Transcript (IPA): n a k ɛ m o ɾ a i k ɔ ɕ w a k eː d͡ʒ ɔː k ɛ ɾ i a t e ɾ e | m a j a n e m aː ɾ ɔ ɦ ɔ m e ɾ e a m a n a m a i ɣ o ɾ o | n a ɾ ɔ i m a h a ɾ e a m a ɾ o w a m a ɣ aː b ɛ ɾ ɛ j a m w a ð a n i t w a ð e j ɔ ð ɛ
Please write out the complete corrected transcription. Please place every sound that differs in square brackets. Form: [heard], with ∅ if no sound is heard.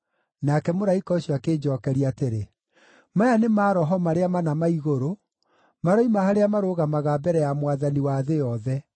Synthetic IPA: n a k ɛ m o ɾ a i k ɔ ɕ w a k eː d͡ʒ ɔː k ɛ ɾ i a t e ɾ e | m a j a n e m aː ɾ ɔ ɦ ɔ m [a] ɾ e a m a n a m a i ɣ o ɾ o | [m] a ɾ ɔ i m a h a ɾ e a m a ɾ o [ɣ] a m a ɣ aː b ɛ ɾ ɛ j a m w a ð a n i [∅] w a ð e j ɔ ð ɛ